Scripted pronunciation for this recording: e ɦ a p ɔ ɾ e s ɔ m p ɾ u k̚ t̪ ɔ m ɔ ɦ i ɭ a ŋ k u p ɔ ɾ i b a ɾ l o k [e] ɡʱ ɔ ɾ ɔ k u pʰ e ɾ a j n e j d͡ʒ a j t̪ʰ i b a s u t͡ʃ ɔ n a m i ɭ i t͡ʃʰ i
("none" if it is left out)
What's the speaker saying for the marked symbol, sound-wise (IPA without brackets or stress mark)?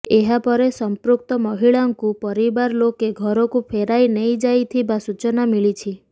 e